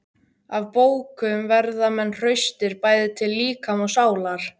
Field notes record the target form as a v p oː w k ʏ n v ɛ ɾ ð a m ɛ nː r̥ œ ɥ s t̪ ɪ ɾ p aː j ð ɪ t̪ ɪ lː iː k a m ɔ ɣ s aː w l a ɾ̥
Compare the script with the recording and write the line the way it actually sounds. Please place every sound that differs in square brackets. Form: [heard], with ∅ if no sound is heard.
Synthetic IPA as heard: a v p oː w k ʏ [m] v ɛ ɾ ð a m ɛ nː r̥ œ ɥ s t̪ ɪ ɾ p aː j ð ɪ [t̪ʰ] ɪ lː iː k a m ɔ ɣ s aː w l a ɾ̥